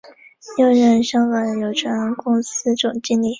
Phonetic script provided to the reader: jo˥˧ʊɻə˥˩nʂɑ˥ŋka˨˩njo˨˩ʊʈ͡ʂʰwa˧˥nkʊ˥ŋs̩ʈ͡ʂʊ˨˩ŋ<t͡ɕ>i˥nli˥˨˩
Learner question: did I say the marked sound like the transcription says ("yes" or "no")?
yes